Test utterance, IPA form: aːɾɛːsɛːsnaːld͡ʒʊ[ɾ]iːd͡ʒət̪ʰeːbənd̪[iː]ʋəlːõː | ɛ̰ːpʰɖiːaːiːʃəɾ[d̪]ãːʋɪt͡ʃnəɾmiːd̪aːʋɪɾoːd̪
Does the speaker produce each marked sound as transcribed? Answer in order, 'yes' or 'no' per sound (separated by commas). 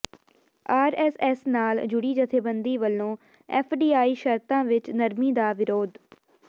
no, yes, no